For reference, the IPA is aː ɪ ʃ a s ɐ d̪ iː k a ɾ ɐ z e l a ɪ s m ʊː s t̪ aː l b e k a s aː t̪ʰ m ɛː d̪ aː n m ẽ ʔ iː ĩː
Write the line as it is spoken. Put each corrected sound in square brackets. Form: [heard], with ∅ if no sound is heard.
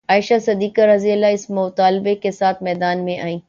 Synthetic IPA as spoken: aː ɪ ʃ a s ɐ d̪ iː k a ɾ ɐ z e l a ɪ s m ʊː [∅] t̪ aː l b e k [e] s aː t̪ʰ m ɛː d̪ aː n m ẽ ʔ [aː] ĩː